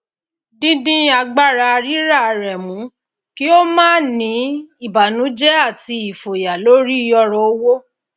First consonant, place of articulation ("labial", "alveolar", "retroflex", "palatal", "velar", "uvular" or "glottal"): alveolar